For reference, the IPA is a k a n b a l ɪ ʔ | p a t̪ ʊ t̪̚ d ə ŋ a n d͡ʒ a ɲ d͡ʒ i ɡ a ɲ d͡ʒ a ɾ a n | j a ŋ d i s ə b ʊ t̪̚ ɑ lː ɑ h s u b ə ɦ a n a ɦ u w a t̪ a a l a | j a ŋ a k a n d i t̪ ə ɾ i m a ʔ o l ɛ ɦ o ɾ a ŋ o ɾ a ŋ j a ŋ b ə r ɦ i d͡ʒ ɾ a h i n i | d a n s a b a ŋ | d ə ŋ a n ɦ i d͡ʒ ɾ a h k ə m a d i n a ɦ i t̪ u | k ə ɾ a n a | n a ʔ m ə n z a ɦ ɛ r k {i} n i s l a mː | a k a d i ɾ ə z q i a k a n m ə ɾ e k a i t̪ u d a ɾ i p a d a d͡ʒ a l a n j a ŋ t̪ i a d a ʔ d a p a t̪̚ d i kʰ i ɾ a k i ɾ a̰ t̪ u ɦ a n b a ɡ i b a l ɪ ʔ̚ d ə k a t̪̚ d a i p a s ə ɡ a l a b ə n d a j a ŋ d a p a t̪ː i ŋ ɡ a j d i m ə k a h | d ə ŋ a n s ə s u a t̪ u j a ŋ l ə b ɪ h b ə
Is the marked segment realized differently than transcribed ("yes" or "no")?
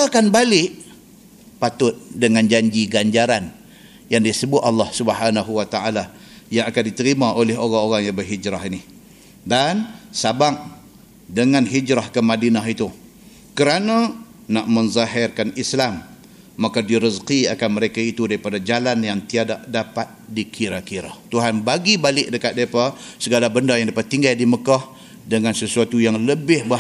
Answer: yes